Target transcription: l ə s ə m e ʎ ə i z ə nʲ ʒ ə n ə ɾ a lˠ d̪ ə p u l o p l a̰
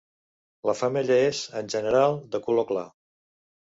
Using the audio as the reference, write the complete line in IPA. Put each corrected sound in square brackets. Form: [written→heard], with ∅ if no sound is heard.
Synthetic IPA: l ə [s→f] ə m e ʎ ə [i→e] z ə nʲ ʒ ə n ə ɾ a lˠ d̪ ə [p→k] u l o [p→k] l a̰